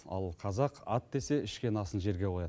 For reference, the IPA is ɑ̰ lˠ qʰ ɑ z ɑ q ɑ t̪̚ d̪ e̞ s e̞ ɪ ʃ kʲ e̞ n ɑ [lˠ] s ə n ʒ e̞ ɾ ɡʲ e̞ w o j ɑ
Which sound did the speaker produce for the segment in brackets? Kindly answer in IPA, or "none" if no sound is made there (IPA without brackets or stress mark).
none